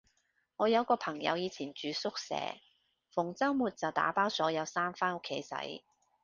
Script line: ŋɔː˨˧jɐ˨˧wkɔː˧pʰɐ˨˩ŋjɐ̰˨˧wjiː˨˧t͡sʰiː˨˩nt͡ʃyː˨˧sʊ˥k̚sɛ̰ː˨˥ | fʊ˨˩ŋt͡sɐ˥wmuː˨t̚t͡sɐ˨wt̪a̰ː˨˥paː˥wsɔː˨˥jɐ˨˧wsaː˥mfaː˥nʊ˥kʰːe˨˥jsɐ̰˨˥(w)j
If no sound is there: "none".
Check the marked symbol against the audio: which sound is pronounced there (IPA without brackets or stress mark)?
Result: none